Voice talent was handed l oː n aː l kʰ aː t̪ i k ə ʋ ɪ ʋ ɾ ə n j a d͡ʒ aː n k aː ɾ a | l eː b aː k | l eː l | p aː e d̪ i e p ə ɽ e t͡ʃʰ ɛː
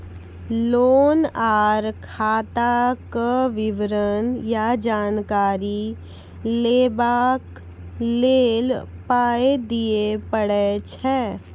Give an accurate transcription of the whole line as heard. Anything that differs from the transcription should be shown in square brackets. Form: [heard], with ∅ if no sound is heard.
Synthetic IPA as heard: l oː n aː [ɾ] kʰ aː t̪ [a] k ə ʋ ɪ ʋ ɾ ə n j a d͡ʒ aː n k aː ɾ [i] | l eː b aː k | l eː l | p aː e d̪ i e p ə ɽ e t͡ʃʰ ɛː

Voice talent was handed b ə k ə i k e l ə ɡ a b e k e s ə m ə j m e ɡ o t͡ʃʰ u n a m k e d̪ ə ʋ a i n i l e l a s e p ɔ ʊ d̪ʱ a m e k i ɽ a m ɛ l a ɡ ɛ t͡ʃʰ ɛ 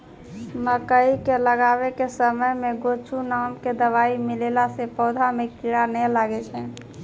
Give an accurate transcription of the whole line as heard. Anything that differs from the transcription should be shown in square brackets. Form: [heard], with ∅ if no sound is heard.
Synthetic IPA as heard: [m] ə k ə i k e l ə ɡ a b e k e s ə m ə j m e ɡ o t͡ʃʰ u n a m k e d̪ ə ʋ a i [m] i l e l a s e p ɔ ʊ d̪ʱ a m e k i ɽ a [n] ɛ l a ɡ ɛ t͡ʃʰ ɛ

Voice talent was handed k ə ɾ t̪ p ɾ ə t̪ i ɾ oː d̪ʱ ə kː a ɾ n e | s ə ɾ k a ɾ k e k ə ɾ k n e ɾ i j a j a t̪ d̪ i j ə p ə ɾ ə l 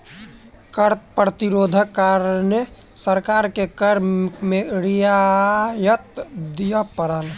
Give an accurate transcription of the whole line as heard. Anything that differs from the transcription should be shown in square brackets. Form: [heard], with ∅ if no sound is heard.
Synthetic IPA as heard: k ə ɾ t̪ p ɾ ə t̪ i ɾ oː d̪ʱ ə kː a ɾ n e | s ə ɾ k a ɾ k e k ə ɾ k [m] e ɾ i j a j [ə] t̪ d̪ i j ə p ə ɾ ə l

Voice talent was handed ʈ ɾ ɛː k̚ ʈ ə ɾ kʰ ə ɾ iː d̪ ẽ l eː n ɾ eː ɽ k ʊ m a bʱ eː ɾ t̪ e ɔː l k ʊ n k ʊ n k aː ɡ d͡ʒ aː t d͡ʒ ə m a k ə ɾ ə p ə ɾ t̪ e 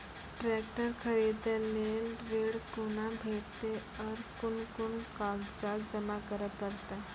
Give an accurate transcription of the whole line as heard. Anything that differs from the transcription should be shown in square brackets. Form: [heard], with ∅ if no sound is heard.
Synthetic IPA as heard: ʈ ɾ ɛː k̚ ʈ ə ɾ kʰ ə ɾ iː d̪ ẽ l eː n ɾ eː ɽ k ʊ [n] a bʱ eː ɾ t̪ e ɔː [ɾ] k ʊ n k ʊ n k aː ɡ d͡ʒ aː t d͡ʒ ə m a k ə ɾ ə p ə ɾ t̪ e

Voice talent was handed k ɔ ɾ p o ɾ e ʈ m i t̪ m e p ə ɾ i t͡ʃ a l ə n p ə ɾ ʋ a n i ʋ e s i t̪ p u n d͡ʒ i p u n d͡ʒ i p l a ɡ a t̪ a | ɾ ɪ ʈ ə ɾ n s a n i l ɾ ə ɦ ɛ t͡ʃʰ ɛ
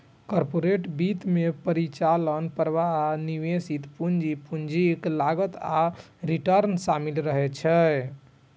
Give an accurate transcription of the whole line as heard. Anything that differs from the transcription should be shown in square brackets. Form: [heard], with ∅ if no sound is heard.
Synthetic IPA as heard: k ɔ ɾ p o ɾ e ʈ [b] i t̪ m e p ə ɾ i t͡ʃ a l ə n p ə ɾ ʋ a n i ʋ e s i t̪ p u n d͡ʒ i p u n d͡ʒ i [k] l a ɡ [ə] t̪ a | ɾ [i] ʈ ə ɾ n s a [m] i l ɾ ə ɦ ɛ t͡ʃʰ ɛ

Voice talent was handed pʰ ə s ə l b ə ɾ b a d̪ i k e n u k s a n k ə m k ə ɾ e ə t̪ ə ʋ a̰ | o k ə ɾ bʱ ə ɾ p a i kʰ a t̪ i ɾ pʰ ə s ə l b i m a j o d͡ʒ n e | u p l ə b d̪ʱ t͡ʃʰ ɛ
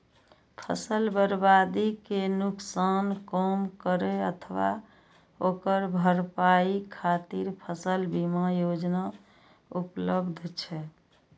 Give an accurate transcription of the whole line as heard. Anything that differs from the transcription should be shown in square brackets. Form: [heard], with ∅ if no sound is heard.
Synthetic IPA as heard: pʰ ə s ə l b ə ɾ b a d̪ i k e n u k s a n k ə m k ə ɾ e ə [t̪ʰ] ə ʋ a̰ | o k ə ɾ bʱ ə ɾ p a i kʰ a t̪ i ɾ pʰ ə s ə l b i m a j o d͡ʒ n [a] | u p l ə b d̪ʱ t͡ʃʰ ɛ

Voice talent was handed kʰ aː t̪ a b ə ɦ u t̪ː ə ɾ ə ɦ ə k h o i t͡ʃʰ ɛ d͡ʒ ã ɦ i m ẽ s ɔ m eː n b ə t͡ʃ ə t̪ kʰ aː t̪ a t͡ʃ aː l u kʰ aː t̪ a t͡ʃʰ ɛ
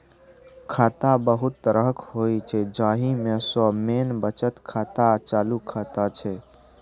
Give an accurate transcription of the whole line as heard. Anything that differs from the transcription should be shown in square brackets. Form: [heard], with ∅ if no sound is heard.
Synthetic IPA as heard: kʰ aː t̪ a b ə ɦ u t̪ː ə ɾ ə ɦ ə k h o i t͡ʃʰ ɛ d͡ʒ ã ɦ i m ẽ s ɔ m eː n b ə t͡ʃ ə t̪ kʰ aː t̪ a t͡ʃ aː l u kʰ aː t̪ a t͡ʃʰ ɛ

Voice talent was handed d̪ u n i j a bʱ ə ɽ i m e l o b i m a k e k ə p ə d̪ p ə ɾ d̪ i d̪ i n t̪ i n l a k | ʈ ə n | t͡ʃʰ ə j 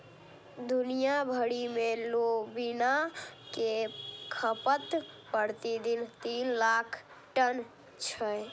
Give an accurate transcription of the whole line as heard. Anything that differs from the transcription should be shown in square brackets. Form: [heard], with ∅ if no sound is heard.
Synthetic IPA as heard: d̪ u n i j a bʱ ə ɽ i m e l o b i [n] a k e [kʰ] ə p ə [t̪] p ə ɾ [t̪] i d̪ i n t̪ i n l a [kʰ] | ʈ ə n | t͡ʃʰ ə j

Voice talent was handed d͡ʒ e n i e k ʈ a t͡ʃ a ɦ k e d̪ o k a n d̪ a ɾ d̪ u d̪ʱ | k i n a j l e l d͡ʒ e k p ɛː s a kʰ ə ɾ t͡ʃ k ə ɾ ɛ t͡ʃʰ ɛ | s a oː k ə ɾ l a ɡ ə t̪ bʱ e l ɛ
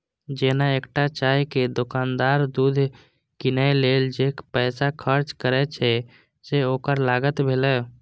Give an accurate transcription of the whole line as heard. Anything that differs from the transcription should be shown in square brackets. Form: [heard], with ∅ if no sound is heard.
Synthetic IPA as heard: d͡ʒ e n [a] e k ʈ a t͡ʃ a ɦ k e d̪ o k a n d̪ a ɾ d̪ u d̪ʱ | k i n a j l e l d͡ʒ e k p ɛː s a kʰ ə ɾ t͡ʃ k ə ɾ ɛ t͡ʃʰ ɛ | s [e] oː k ə ɾ l a ɡ ə t̪ bʱ e l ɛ

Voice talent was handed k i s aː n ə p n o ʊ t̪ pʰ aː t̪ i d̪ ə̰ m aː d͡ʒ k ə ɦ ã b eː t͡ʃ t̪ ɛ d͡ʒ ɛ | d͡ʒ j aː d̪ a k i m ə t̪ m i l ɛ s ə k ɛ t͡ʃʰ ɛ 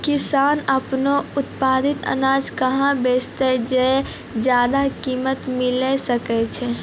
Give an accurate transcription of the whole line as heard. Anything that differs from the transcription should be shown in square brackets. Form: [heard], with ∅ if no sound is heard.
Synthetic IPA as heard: k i s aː n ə p n o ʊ t̪ [p] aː [d̪] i [t̪] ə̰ [n] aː d͡ʒ k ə ɦ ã b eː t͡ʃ t̪ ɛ d͡ʒ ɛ | d͡ʒ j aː d̪ a k i m ə t̪ m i l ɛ s ə k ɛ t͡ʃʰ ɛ

